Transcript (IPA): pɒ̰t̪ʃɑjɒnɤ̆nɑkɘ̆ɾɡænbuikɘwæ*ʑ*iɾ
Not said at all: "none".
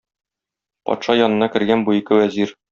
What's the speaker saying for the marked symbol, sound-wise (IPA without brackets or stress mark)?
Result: z